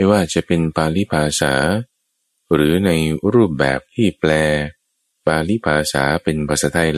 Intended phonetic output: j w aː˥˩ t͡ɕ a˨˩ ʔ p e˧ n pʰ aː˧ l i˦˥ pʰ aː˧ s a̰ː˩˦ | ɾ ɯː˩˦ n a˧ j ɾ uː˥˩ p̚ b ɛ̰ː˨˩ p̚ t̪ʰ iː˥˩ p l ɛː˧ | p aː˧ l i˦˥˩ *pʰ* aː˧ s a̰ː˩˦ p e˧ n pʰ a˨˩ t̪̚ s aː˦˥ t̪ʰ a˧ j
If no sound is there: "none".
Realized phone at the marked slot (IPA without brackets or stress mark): pʰ